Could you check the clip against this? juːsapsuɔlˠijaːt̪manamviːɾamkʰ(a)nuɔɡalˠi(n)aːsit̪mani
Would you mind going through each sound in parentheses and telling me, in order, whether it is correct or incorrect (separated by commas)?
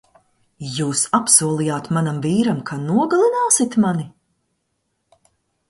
correct, correct